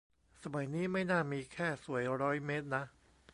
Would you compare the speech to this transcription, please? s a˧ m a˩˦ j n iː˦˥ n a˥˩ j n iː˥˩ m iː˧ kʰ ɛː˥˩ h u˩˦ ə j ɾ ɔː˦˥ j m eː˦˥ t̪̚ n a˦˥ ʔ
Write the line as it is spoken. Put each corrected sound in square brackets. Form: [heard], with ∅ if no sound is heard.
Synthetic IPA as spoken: s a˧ m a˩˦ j n iː˦˥ [m] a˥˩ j n [aː˥˩] m iː˧ kʰ ɛː˥˩ [s] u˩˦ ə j ɾ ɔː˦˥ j m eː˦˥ t̪̚ n a˦˥ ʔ